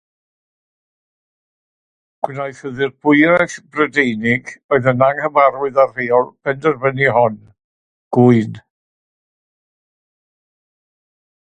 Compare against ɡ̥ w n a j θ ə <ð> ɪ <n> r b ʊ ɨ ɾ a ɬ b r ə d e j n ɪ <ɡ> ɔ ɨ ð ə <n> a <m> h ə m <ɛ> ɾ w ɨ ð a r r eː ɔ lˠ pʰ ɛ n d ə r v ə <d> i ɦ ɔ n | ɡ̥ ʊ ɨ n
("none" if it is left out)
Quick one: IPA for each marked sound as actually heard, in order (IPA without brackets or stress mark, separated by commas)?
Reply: ð, none, ɡ, n, ŋ, a, n